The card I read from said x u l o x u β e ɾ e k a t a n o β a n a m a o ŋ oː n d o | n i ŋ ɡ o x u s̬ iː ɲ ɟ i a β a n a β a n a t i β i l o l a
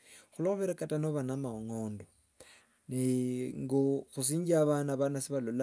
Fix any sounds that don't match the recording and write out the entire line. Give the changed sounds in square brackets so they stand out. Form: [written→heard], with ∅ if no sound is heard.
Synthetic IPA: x u l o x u β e ɾ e k a t a n o β a n a m a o ŋ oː n d o | n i ŋ ɡ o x u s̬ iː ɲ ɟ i a β a n a β a n a [t→s] i β [i→a] l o l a